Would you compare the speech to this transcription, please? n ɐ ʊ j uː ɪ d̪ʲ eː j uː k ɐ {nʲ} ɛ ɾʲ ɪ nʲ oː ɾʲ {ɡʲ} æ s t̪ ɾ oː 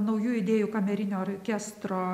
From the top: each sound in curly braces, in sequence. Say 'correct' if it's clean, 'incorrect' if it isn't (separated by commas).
incorrect, incorrect